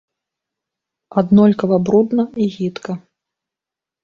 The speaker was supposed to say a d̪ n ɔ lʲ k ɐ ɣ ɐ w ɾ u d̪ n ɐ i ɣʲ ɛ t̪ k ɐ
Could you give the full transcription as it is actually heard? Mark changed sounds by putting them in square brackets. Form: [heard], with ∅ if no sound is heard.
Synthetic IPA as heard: a d̪ n ɔ lʲ k ɐ [v] ɐ [b] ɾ u d̪ n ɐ i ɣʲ [i] t̪ k ɐ